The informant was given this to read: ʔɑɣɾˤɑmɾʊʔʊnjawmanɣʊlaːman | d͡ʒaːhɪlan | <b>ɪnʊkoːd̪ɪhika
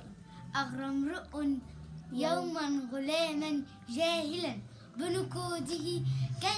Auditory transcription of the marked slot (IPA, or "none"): b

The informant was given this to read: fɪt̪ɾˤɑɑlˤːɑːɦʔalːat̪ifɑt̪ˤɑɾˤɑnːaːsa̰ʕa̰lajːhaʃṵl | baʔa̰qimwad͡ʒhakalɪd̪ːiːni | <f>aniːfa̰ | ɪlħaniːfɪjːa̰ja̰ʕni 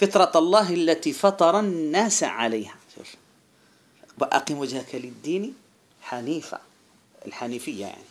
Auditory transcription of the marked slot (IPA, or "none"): ħ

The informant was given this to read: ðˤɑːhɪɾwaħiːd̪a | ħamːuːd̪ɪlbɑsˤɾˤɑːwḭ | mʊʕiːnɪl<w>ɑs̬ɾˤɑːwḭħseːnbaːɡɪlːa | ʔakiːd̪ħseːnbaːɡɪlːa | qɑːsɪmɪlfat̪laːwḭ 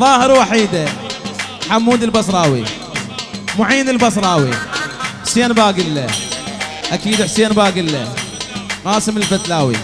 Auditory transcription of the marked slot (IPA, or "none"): b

